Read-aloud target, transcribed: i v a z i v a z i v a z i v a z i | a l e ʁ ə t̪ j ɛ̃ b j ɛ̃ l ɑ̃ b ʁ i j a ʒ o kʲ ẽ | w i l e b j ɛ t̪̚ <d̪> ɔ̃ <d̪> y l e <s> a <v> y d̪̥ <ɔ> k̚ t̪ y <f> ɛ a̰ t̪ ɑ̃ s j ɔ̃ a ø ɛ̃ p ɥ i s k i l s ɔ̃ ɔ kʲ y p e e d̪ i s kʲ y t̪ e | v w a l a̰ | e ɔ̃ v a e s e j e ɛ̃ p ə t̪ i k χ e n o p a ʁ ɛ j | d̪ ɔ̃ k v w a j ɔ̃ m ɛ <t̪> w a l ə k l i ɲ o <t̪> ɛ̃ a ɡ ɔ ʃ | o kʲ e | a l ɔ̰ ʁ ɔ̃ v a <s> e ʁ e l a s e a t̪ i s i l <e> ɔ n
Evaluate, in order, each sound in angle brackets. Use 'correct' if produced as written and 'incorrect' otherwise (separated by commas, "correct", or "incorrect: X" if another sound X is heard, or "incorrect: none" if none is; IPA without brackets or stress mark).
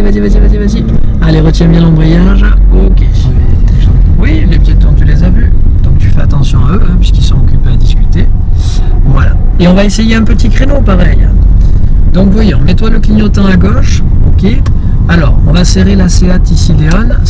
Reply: correct, incorrect: t̪, incorrect: z, correct, incorrect: ɔ̃, correct, correct, correct, correct, correct